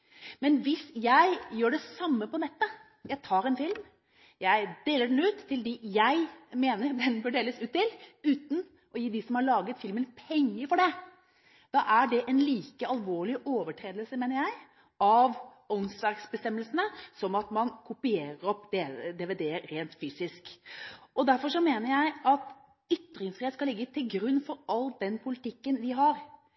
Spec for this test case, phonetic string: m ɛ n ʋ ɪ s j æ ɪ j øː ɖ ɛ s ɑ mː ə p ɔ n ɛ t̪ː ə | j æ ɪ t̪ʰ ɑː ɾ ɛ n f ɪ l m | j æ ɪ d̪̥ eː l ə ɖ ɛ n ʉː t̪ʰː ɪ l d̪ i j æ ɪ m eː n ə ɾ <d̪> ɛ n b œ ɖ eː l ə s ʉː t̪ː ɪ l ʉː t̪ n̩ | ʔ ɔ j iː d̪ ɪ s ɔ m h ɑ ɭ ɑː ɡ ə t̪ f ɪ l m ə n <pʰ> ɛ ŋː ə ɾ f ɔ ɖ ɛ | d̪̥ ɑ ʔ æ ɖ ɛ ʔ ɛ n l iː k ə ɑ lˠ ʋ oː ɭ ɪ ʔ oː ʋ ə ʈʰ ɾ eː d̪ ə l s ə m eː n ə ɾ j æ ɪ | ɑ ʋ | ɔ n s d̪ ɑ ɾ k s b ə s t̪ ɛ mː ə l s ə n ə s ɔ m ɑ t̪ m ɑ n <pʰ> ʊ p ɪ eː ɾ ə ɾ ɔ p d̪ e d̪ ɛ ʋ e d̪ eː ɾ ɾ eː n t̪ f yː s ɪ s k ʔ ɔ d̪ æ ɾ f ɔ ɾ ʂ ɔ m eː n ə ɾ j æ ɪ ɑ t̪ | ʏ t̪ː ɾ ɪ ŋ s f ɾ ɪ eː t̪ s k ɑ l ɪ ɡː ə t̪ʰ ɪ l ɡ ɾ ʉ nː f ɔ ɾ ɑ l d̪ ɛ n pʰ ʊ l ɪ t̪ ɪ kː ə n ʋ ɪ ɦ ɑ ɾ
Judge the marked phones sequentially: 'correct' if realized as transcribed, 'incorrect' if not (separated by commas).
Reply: correct, correct, incorrect